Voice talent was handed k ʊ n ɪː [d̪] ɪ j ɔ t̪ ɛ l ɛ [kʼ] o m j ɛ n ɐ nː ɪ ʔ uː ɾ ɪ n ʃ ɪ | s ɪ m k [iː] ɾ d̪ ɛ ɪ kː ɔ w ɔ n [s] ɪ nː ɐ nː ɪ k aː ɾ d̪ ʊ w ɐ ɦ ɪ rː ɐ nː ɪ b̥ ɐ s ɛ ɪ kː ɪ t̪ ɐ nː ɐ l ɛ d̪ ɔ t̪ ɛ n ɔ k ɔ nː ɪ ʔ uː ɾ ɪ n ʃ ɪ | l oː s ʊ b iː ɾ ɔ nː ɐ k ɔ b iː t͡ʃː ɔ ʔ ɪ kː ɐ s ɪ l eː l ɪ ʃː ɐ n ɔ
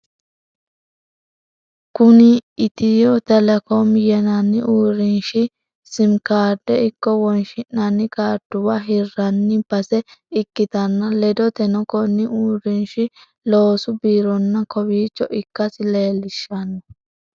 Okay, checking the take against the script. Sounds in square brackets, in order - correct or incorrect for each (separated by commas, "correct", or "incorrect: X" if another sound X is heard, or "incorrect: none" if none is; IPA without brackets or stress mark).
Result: incorrect: t̪, incorrect: k, incorrect: aː, incorrect: ʃ